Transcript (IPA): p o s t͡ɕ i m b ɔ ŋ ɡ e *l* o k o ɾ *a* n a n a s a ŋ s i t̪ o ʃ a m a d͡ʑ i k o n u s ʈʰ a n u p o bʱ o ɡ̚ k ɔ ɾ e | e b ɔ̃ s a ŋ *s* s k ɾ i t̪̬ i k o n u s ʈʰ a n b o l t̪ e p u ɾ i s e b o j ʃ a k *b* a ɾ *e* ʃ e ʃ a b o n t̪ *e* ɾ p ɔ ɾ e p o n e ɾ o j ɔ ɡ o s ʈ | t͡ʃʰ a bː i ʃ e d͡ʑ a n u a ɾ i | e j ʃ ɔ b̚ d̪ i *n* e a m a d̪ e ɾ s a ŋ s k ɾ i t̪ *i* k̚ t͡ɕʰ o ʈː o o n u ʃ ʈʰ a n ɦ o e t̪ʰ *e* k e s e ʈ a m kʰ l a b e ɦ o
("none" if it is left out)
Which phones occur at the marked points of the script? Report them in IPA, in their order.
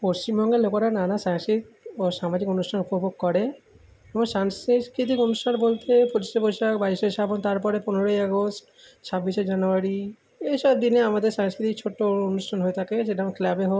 l, a, s, b, i, a, n, i, a

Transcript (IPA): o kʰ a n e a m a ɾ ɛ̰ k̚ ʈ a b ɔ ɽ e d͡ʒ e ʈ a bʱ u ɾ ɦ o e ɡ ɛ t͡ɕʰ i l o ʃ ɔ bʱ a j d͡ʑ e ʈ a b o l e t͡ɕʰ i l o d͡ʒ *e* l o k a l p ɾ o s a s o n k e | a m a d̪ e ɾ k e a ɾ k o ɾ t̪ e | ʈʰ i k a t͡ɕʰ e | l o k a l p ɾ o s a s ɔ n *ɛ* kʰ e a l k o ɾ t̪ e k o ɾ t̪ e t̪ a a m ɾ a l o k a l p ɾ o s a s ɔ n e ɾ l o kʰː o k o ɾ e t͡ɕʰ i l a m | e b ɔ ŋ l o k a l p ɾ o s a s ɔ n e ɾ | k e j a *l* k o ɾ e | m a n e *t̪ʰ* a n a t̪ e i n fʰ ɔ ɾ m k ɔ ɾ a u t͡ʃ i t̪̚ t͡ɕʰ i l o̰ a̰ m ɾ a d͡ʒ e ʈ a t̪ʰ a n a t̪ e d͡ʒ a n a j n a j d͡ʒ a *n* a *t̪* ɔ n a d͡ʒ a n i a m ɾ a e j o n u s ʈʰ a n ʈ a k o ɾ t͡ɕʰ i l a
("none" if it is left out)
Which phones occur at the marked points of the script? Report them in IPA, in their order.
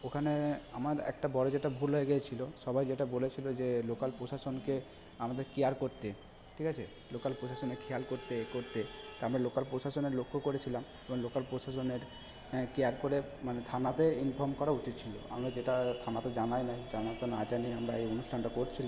e, e, ɾ, t̪ʰ, n, t̪

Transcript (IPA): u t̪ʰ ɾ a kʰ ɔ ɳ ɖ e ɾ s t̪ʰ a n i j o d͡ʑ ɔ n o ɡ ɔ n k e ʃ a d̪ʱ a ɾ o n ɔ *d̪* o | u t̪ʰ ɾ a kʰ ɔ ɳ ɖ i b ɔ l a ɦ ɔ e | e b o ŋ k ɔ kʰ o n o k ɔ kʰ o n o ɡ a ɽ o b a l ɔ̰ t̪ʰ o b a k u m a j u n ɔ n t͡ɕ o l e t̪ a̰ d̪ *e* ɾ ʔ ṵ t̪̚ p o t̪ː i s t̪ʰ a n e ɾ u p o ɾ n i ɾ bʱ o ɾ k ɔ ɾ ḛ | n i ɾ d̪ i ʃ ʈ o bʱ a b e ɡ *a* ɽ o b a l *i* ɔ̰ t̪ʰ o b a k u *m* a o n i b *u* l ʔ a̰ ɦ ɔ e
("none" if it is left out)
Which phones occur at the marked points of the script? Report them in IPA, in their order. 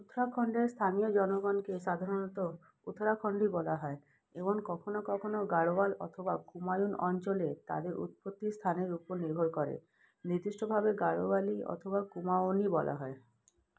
t̪, e, a, i, m, ɔ

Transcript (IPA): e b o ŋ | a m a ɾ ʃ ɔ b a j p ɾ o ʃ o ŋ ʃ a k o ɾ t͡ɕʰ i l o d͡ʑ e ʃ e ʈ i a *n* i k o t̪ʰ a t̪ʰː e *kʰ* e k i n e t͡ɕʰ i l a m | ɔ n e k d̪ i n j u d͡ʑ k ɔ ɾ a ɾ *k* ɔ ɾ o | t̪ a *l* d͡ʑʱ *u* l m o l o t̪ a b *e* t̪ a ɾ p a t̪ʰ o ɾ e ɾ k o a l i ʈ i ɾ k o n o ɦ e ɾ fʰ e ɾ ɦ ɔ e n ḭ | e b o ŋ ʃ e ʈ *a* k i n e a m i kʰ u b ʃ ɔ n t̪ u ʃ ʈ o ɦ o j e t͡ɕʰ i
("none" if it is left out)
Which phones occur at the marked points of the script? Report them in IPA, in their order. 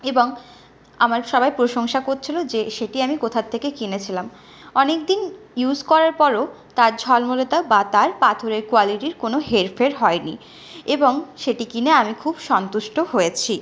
m, k, p, ɾ, ɔ, a, i

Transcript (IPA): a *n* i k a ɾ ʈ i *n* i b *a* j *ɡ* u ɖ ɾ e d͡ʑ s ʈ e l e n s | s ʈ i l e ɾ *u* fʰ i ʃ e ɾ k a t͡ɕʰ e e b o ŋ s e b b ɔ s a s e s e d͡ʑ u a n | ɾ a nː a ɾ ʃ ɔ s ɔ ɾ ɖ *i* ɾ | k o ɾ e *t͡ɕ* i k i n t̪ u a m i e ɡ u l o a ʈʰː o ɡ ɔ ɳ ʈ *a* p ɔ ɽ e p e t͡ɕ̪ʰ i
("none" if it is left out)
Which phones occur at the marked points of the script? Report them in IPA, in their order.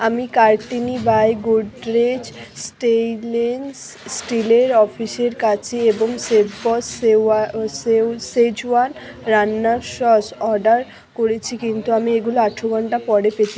m, n, a, ɡ, ɔ, a, t͡ɕʰ, a

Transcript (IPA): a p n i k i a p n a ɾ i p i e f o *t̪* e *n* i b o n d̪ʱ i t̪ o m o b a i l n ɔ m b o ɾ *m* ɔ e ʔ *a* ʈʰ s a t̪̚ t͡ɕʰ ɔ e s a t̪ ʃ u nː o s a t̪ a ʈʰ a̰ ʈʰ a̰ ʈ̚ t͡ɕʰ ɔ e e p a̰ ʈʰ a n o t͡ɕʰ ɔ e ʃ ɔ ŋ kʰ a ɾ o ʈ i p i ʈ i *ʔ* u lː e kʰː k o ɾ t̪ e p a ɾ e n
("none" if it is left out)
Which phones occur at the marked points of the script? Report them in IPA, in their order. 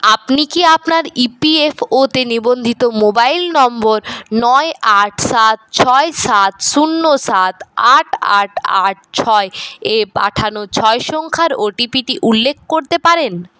t̪, n, n, a, ʔ

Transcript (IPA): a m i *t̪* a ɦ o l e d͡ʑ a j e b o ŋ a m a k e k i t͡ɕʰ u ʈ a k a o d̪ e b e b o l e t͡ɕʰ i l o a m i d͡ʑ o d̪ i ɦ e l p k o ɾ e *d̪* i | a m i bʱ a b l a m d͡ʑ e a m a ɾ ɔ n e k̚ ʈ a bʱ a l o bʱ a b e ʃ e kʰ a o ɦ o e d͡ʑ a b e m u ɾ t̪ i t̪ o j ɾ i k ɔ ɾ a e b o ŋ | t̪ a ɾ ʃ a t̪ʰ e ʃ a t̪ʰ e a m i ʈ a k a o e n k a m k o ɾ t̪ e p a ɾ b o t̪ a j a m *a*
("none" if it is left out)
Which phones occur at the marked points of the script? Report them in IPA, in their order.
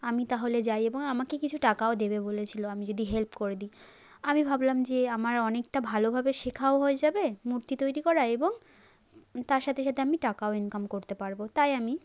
t̪, d̪, i

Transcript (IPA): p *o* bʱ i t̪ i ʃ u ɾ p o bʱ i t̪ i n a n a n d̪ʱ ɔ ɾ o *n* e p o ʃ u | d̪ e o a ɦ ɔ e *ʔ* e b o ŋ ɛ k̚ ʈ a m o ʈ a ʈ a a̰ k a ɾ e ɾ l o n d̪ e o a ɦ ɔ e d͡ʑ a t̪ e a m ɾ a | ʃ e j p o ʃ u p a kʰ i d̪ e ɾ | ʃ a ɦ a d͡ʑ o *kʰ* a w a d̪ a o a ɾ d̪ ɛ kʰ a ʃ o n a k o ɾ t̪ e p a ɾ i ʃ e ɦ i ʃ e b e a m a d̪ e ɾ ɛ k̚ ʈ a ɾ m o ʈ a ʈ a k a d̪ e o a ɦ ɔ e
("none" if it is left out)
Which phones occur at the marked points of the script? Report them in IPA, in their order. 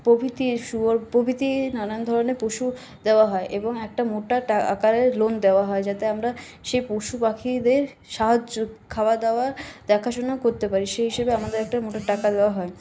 o, n, ʔ, kʰ

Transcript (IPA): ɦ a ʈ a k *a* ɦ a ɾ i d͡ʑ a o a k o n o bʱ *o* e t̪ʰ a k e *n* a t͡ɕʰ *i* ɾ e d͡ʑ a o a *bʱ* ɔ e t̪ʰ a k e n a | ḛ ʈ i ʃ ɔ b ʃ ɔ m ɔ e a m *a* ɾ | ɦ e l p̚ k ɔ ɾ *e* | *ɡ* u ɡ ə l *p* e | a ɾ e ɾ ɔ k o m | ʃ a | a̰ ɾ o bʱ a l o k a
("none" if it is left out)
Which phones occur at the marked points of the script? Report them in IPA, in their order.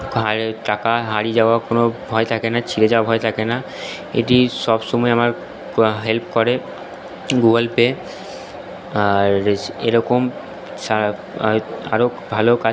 a, ɔ, n, i, bʱ, a, e, ɡ, p

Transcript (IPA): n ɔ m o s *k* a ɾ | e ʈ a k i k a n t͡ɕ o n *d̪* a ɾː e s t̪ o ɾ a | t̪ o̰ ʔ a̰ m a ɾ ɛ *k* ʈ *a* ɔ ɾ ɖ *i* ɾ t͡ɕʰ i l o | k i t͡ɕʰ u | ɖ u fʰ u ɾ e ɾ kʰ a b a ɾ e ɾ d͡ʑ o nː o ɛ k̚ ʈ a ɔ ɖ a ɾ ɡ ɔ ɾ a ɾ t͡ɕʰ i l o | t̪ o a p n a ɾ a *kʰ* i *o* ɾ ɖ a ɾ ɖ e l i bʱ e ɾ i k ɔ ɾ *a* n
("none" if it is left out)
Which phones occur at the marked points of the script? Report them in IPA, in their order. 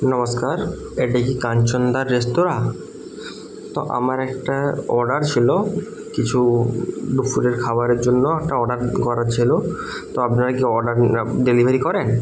k, d̪, k, a, a, k, ɔ, e

